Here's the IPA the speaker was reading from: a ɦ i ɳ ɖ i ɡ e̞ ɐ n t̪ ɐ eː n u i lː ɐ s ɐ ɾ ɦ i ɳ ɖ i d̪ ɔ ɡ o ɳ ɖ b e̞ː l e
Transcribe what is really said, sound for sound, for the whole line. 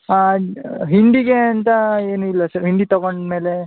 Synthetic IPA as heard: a ɦ i ɳ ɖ i ɡ e̞ ɐ n t̪ ɐ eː n u i lː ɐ s ɐ ɾ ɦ i ɳ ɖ i t̪ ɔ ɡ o ɳ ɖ m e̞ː l e